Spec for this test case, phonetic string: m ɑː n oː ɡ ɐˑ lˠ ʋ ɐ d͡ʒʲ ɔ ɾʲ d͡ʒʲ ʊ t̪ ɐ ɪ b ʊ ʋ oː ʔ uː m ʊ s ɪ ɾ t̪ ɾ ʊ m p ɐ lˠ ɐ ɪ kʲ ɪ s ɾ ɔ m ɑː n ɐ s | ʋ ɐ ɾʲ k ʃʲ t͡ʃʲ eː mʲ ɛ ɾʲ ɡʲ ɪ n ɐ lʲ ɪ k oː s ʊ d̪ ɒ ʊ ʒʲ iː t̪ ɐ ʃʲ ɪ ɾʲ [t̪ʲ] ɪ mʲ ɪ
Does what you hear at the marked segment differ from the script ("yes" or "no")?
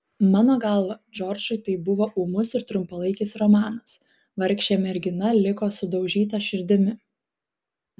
yes